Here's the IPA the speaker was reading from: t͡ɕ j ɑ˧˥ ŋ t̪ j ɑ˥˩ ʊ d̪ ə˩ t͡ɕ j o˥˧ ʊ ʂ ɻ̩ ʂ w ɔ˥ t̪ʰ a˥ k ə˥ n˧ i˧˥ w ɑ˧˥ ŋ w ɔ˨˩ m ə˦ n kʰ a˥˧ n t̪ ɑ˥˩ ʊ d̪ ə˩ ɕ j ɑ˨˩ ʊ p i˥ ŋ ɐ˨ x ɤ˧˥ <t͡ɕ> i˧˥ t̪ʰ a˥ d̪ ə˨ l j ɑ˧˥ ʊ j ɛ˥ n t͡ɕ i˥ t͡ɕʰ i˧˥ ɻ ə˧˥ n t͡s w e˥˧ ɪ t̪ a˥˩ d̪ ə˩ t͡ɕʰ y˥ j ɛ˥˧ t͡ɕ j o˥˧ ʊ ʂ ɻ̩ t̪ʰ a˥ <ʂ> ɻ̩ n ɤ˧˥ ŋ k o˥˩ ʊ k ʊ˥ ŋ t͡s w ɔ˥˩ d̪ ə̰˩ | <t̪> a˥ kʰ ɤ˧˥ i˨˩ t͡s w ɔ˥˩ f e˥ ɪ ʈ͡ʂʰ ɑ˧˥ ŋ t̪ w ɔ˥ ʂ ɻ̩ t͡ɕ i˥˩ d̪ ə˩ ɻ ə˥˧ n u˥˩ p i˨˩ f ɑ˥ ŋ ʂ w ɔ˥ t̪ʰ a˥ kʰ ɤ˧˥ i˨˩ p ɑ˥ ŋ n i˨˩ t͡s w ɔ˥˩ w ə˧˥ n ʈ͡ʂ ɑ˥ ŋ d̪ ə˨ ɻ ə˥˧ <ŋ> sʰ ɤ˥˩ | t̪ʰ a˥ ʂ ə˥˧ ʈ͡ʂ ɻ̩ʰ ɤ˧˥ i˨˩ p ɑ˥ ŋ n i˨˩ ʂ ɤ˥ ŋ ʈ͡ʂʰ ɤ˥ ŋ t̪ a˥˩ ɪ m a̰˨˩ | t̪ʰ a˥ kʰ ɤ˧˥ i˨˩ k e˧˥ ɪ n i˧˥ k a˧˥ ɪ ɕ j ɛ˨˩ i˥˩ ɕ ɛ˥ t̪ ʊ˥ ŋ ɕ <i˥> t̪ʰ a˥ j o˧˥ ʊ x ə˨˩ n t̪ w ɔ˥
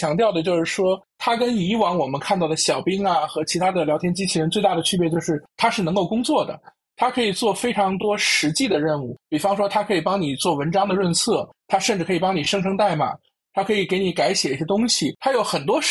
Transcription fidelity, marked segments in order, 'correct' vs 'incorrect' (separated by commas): incorrect, correct, incorrect, incorrect, incorrect